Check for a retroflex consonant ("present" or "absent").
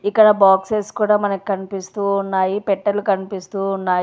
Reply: present